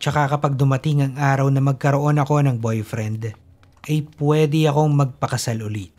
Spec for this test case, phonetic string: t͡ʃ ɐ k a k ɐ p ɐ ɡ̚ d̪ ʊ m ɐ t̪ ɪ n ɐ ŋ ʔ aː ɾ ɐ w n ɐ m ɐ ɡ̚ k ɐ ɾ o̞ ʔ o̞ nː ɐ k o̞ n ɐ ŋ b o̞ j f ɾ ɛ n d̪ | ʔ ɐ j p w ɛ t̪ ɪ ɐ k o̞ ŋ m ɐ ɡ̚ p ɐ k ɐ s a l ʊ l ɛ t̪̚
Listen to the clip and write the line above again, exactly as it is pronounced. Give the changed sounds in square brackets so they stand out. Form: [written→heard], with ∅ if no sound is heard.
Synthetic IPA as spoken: t͡ʃ ɐ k a k ɐ p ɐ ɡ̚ d̪ ʊ m ɐ t̪ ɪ [n→ŋ] ɐ ŋ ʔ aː ɾ ɐ w n ɐ m ɐ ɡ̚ k ɐ ɾ o̞ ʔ o̞ [nː→n] ɐ k o̞ n ɐ ŋ b o̞ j f ɾ ɛ n d̪ | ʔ ɐ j p w ɛ [t̪→d̪] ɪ ɐ k o̞ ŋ m ɐ ɡ̚ p ɐ k ɐ s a l ʊ l [ɛ→i] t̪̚

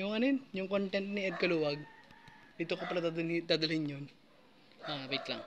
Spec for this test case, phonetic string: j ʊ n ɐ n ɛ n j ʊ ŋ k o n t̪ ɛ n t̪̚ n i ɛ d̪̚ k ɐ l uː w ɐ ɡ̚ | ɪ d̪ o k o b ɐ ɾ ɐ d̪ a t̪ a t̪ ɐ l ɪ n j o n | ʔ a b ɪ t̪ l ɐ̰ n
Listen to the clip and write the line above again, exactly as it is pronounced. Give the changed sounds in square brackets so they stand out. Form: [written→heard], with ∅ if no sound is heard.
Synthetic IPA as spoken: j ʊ [n→ŋ] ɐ n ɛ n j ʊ ŋ k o n t̪ ɛ n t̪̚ n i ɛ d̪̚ k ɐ l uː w ɐ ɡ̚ | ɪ [d̪→t̪] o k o [b→p] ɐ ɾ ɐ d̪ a [t̪→d̪] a [t̪→d̪] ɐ l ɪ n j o n | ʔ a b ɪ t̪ l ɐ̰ [n→ŋ]

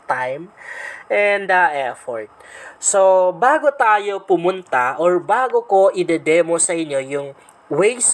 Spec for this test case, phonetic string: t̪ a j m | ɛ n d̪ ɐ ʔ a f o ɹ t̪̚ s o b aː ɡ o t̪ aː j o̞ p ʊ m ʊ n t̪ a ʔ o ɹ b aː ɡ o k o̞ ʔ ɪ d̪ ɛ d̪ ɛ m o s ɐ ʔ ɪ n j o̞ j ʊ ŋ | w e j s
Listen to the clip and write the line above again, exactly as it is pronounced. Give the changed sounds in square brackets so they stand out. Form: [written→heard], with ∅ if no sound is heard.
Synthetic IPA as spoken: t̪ a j m | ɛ n d̪ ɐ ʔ [a→ɛ] f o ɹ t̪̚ s o b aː ɡ o t̪ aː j o̞ p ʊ m ʊ n t̪ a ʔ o ɹ b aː ɡ o k o̞ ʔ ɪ d̪ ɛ d̪ ɛ m o s ɐ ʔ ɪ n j o̞ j ʊ ŋ | w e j s

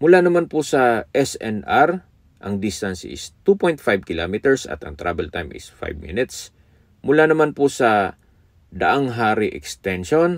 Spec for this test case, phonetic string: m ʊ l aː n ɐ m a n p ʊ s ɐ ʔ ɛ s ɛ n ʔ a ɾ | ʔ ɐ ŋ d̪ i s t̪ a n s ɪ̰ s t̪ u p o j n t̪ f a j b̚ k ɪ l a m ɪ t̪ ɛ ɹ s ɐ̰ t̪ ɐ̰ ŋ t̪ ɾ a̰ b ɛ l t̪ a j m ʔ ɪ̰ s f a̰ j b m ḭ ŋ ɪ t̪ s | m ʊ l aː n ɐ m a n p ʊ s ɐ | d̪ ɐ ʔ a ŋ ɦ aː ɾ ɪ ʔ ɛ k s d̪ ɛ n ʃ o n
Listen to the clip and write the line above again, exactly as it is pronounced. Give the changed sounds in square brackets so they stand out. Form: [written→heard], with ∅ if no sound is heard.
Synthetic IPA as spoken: m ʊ l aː n ɐ m a n p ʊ s ɐ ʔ ɛ s ɛ n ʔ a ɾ | ʔ ɐ ŋ d̪ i s t̪ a n s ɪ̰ s t̪ u p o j n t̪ f a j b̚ k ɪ l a m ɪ t̪ ɛ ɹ s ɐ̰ t̪ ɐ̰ ŋ t̪ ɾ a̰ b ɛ l t̪ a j m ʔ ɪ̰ s f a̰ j b m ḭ [ŋ→n] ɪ t̪ s | m ʊ l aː n ɐ m a n p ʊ s ɐ | d̪ ɐ ʔ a ŋ ɦ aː ɾ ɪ ʔ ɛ k s [d̪→t̪] ɛ n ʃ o n

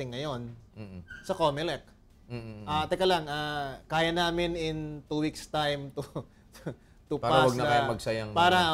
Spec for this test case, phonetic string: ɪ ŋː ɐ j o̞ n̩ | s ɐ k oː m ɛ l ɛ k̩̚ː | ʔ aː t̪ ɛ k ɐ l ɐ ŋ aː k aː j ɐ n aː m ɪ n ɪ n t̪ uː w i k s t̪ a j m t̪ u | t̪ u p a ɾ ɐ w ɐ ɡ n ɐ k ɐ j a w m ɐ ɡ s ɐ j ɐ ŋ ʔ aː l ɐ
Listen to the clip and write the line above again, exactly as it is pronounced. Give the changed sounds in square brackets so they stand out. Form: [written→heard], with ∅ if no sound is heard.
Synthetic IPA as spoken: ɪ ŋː ɐ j o̞ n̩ | s ɐ k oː m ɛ l ɛ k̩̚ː | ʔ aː t̪ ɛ k ɐ l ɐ ŋ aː k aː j ɐ n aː m ɪ n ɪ n t̪ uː w i k s t̪ a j m t̪ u | t̪ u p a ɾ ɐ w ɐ ɡ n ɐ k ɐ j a [w→∅] m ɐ ɡ s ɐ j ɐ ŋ [ʔ→p] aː [l→ɾ] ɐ

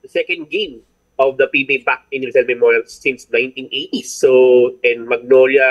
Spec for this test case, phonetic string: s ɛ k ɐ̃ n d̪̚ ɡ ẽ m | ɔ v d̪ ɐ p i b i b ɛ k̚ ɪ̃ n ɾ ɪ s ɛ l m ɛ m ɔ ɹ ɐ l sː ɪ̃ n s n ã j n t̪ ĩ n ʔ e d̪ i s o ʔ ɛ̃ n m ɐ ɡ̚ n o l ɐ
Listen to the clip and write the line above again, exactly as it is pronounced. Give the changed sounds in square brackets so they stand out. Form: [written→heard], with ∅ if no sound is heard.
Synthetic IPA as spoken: s ɛ k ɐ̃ n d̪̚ ɡ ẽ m | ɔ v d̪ ɐ p i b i b [ɛ→a] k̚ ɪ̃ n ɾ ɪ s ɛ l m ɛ m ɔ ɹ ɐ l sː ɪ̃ n s n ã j n t̪ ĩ n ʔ e [d̪→t̪] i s o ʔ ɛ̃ n m ɐ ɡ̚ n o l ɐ

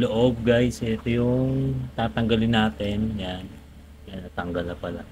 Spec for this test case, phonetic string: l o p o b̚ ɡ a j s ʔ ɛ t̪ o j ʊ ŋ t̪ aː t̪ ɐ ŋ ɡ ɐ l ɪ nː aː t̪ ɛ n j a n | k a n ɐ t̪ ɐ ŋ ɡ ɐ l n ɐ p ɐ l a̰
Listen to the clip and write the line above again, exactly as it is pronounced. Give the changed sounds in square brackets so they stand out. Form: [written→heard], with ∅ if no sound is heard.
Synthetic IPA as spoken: l o [p→ʔ] o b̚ ɡ a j s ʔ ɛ t̪ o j ʊ ŋ t̪ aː t̪ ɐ ŋ ɡ ɐ l ɪ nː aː t̪ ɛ n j a n | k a n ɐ t̪ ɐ ŋ ɡ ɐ l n ɐ p ɐ l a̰

